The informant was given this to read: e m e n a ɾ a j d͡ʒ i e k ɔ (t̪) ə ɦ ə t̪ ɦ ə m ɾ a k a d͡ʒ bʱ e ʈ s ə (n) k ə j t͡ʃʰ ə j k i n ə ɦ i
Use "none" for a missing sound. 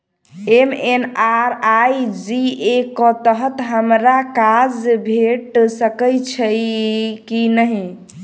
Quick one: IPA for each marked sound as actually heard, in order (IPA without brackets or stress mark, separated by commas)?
t̪, none